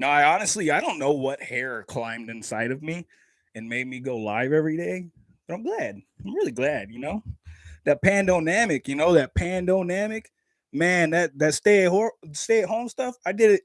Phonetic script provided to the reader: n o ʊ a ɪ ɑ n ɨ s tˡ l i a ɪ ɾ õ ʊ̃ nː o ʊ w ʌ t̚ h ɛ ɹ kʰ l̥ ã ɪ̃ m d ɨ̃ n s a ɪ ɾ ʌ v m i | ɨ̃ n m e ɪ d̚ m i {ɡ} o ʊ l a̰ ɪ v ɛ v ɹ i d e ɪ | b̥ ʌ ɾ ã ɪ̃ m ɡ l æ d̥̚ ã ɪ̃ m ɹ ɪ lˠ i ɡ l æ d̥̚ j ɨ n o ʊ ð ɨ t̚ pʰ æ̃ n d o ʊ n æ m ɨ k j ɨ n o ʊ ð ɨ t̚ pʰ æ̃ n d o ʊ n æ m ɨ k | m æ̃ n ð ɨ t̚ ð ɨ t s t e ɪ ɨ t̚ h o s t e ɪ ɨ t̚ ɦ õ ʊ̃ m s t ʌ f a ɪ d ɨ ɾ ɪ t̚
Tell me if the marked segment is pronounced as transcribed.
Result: yes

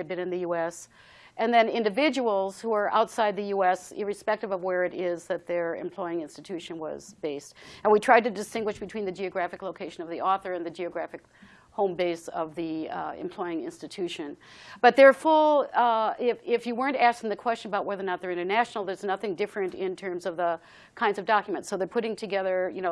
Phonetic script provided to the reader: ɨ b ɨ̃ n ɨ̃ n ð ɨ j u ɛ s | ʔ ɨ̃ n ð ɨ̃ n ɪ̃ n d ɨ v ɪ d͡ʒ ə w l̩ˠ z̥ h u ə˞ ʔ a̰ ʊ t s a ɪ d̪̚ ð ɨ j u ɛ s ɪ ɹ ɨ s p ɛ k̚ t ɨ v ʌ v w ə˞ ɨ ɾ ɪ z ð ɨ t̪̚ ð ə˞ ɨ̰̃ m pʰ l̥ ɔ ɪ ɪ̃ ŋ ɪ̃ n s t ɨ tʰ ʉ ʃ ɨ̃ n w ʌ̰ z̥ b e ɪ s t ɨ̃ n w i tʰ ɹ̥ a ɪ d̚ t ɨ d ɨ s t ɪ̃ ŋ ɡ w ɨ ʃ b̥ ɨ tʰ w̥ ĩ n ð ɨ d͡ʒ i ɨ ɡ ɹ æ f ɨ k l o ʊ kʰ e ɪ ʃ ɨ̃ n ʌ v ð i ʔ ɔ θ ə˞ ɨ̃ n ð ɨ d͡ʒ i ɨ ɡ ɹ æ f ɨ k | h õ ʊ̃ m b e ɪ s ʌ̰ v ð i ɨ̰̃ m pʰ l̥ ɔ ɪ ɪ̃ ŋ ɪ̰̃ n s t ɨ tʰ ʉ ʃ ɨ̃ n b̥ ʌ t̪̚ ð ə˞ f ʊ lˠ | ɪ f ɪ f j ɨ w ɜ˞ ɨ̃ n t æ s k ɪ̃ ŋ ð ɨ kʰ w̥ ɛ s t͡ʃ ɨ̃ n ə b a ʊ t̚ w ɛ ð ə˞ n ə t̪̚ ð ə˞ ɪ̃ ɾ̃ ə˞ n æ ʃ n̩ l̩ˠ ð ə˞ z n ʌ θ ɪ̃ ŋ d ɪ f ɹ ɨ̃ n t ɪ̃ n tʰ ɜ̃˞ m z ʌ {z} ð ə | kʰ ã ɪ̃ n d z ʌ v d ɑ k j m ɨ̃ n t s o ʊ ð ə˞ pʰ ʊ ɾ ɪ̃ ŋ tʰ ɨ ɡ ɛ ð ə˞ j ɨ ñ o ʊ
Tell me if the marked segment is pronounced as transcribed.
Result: no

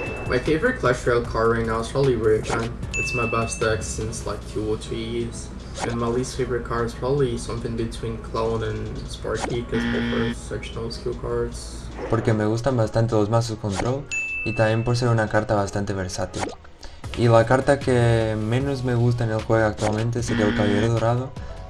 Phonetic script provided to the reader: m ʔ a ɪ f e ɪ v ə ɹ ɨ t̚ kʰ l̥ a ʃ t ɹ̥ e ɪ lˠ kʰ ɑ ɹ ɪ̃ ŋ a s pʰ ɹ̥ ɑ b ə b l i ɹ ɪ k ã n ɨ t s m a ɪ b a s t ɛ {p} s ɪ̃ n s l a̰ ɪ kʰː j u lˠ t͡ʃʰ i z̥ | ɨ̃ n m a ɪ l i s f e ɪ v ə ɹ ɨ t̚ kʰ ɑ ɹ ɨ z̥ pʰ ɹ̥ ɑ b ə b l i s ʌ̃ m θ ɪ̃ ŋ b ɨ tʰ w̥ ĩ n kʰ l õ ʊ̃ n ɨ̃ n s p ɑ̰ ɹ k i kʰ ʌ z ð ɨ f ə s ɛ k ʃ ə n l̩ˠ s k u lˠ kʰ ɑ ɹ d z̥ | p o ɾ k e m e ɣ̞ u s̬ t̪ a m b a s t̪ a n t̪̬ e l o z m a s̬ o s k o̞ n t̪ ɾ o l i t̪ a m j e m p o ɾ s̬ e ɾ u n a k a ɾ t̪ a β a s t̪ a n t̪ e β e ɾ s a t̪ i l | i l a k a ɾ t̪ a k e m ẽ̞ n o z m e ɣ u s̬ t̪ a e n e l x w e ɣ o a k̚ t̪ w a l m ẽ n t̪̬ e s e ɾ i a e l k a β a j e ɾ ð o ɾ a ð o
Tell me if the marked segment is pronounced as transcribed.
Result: no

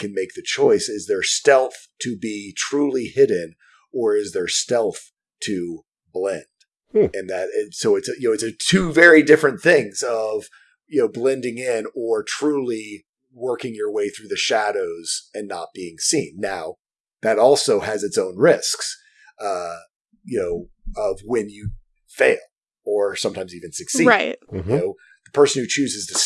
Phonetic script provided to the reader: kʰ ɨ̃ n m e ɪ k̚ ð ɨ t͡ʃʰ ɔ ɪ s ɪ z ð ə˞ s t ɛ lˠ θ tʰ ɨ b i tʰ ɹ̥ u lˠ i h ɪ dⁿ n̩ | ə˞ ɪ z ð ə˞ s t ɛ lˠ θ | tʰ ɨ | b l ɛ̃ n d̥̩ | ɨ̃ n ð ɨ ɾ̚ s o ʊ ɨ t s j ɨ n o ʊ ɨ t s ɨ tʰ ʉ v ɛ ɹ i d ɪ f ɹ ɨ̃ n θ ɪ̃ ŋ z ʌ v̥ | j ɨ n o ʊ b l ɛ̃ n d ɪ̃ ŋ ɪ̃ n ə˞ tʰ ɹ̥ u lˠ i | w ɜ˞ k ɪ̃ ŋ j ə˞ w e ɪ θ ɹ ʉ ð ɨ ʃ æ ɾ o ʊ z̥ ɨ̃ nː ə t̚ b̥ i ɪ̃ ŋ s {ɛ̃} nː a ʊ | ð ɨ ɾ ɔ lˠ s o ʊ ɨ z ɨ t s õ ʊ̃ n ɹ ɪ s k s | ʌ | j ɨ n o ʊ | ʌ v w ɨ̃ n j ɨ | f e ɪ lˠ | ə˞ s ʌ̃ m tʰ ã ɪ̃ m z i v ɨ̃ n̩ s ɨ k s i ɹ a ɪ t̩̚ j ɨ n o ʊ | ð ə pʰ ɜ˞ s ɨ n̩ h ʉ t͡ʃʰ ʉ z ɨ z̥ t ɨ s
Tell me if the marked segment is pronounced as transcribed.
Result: no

